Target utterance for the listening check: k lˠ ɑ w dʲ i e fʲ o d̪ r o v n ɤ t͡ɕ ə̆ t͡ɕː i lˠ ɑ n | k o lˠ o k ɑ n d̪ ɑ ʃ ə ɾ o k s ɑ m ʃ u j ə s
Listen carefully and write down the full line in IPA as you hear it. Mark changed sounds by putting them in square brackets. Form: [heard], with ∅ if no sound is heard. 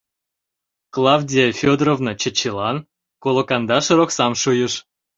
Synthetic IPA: k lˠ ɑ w dʲ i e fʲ o d̪ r o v n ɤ t͡ɕ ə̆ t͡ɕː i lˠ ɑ n | k o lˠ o k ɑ n d̪ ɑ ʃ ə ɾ o k s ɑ m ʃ u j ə [ʃ]